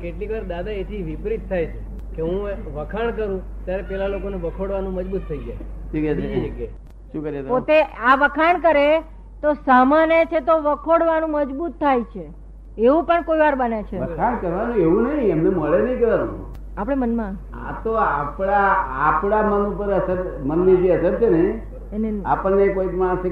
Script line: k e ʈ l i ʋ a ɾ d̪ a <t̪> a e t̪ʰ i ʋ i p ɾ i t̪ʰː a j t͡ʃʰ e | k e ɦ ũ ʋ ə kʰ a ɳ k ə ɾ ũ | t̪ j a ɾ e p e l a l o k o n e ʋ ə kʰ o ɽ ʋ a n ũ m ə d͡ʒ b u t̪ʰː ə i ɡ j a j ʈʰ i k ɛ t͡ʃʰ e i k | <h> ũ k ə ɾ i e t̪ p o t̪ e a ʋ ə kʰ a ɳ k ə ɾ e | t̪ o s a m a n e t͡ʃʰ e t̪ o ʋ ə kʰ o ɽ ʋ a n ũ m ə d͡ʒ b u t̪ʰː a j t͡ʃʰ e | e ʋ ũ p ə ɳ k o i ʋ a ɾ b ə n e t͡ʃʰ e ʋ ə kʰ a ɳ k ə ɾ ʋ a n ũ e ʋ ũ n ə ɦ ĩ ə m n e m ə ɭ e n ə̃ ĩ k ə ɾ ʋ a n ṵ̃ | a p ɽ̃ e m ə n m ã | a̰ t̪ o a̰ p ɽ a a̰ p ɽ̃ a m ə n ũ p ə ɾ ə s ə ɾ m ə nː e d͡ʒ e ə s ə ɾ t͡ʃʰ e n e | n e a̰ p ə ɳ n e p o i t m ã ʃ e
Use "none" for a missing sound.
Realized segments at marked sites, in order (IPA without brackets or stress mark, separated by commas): d̪, ʃ